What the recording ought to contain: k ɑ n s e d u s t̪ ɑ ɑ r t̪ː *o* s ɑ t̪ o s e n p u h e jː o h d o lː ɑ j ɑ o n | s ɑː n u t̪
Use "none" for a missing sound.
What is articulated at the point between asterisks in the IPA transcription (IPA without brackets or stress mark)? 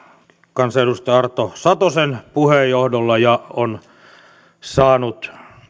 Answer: o